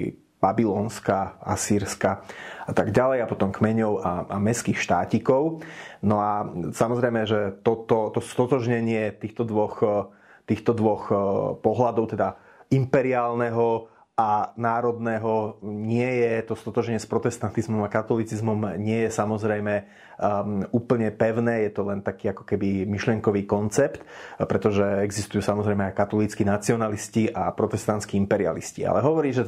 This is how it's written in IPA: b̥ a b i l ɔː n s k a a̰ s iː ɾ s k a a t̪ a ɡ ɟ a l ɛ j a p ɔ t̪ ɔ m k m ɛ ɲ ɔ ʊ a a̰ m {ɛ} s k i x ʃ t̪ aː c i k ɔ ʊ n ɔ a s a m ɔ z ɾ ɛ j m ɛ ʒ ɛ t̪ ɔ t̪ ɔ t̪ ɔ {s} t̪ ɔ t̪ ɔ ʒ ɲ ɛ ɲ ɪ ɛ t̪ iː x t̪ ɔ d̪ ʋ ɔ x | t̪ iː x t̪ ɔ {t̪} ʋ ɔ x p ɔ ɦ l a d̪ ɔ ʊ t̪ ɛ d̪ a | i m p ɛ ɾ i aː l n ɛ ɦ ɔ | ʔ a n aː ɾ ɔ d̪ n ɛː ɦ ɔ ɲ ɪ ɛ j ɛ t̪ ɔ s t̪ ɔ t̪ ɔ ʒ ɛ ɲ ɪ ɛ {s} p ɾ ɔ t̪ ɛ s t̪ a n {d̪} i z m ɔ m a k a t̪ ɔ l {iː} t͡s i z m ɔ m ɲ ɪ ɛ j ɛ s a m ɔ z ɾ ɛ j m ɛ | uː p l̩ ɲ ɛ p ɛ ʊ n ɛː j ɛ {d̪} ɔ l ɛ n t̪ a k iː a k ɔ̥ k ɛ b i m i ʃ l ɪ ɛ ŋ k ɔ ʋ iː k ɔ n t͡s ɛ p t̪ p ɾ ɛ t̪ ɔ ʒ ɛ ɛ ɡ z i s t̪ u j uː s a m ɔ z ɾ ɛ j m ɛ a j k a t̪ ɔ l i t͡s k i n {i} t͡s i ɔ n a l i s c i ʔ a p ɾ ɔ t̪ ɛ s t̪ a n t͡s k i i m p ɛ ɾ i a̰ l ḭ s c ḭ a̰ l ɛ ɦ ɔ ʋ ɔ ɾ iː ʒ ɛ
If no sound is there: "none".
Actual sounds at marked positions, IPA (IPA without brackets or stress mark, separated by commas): ɛ, s, d̪, s, t̪, i, t̪, a